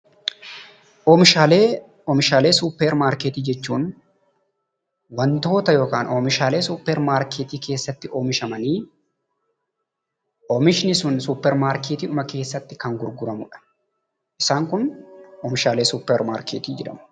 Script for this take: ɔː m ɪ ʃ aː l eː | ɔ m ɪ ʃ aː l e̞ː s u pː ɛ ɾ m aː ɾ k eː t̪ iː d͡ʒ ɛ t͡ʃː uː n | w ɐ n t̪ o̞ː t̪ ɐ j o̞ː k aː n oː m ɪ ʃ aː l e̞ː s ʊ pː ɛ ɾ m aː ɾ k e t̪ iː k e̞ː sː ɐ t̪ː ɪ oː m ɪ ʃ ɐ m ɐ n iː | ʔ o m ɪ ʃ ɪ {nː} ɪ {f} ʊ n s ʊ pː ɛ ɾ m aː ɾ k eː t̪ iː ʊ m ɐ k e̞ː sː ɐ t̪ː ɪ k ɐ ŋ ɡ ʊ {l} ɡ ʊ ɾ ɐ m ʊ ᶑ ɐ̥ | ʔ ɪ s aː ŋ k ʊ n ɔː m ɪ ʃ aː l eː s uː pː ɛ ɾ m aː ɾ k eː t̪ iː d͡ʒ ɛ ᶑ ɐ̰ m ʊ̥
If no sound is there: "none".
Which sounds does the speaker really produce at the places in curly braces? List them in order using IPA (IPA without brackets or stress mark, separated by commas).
n, s, ɾ